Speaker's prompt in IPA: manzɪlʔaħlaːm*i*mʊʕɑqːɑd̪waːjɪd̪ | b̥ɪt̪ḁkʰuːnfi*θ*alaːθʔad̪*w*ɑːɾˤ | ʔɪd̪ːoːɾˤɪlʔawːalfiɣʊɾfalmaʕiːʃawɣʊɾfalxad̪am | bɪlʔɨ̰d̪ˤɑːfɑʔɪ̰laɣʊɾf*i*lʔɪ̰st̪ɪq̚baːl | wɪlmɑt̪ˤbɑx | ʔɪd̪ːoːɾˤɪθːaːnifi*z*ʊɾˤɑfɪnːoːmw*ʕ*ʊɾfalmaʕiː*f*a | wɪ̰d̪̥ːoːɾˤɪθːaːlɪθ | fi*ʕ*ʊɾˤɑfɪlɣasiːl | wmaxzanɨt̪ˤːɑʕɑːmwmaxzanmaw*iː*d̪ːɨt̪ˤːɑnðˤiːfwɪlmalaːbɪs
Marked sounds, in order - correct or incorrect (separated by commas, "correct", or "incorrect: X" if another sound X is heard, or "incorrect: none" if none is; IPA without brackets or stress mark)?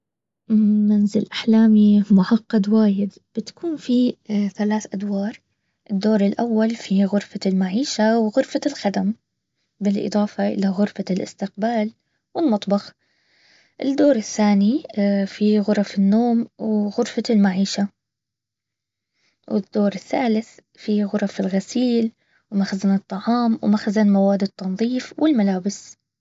correct, correct, correct, incorrect: a, incorrect: ɣ, incorrect: ɣ, incorrect: ʃ, incorrect: ɣ, incorrect: aː